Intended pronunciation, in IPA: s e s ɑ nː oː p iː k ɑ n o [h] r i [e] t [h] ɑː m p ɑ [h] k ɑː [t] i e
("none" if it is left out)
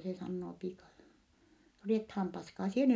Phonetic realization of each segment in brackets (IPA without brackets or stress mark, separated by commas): none, e, h, s, s